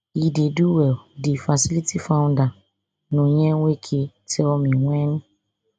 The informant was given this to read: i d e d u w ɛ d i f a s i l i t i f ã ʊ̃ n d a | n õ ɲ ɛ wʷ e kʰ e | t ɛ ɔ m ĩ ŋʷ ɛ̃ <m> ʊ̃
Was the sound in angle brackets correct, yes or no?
no